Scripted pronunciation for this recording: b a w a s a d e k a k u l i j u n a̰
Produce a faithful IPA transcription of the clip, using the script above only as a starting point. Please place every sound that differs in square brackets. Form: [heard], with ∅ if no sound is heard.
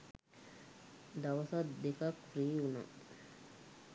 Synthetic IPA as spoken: [d] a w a s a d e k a k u [ɾ] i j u n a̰